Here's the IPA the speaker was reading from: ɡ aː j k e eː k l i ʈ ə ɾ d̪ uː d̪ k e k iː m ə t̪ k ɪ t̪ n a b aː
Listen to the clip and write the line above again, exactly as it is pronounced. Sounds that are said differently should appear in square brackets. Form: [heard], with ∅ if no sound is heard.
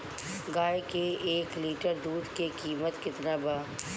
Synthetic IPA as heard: ɡ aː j k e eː k l [iː] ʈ ə ɾ d̪ uː d̪ k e k iː m ə t̪ k ɪ t̪ n a b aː